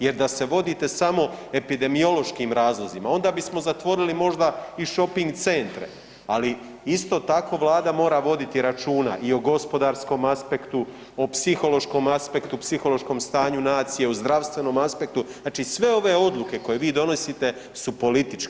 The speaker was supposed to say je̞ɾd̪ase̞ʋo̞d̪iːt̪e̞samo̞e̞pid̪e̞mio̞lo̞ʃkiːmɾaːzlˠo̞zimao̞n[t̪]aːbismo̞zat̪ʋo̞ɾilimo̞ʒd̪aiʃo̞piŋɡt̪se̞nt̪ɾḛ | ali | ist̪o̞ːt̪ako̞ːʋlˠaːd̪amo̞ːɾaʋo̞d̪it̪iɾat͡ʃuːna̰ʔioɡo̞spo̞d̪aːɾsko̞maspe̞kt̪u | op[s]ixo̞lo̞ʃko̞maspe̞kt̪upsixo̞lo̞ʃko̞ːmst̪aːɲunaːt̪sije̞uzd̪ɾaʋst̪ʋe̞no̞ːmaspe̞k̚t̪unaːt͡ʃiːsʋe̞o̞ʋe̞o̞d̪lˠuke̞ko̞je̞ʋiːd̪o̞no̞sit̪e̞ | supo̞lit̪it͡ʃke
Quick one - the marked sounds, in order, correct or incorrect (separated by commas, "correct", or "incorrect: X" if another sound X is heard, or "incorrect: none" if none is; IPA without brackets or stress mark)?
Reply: incorrect: d̪, correct